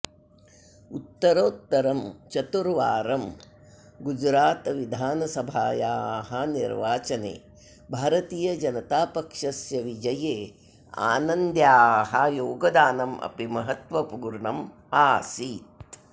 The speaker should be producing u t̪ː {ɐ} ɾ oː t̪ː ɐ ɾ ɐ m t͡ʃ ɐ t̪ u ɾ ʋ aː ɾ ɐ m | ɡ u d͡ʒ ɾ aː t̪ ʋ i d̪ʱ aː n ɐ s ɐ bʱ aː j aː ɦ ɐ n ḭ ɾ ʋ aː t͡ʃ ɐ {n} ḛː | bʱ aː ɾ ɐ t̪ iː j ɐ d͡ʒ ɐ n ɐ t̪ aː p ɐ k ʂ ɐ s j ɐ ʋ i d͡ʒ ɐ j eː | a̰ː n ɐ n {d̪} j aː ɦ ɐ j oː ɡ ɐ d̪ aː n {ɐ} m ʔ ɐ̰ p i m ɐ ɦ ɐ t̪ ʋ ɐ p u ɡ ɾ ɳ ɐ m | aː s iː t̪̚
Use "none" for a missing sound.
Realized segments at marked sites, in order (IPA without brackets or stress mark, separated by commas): ɐ, n, d̪, ɐ